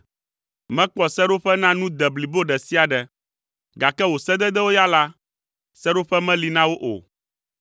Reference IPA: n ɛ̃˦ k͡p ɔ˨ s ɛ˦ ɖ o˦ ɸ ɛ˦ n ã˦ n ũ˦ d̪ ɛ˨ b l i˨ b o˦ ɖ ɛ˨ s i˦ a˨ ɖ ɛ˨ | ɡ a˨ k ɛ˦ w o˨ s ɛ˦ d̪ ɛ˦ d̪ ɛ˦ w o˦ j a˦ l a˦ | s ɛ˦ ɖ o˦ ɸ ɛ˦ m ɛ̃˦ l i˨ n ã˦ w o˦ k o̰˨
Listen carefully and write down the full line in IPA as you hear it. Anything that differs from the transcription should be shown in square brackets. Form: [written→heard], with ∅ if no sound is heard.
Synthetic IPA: [n→m] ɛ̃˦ k͡p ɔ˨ s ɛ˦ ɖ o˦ ɸ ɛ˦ n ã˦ n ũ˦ d̪ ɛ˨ b l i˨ b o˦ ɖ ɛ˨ s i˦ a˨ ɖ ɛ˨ | ɡ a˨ k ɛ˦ w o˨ s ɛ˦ d̪ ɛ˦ d̪ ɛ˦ w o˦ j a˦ l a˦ | s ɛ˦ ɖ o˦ ɸ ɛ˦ m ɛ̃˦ l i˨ n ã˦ w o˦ [k→ʔ] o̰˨